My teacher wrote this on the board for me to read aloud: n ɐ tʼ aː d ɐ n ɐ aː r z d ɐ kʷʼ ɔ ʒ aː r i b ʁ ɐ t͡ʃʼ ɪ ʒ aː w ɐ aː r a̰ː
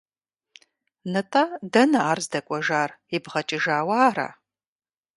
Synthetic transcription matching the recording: n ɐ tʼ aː d ɐ n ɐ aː r z d ɐ kʷʼ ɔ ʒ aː r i b ʁ ɐ t͡ʃʼ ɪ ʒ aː w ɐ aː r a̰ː